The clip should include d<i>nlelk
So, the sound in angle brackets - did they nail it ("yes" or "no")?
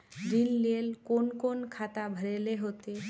yes